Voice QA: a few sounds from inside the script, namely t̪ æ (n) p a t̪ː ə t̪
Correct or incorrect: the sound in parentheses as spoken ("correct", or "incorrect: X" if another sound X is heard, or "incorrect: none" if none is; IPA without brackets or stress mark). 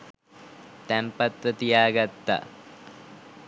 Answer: incorrect: m